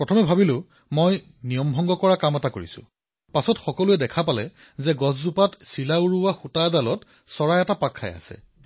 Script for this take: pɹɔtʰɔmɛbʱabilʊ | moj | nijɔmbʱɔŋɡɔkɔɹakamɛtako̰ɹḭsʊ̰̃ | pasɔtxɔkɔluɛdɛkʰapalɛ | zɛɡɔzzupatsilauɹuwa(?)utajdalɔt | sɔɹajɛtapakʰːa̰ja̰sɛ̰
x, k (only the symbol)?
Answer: x